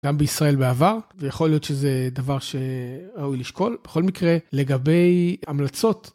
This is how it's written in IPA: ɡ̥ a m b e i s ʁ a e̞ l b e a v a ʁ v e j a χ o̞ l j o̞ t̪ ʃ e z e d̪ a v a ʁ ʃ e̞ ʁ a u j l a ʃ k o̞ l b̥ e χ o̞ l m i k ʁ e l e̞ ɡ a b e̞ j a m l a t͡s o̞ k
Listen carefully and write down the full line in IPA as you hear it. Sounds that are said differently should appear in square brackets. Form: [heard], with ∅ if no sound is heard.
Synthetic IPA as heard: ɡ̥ a m b e i s ʁ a e̞ l b e a v a ʁ v e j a χ o̞ l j o̞ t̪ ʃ e z e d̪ a v a ʁ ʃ e̞ ʁ a u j l [i] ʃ k o̞ l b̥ e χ o̞ l m i k ʁ e l e̞ ɡ a b e̞ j a m l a t͡s o̞ [t]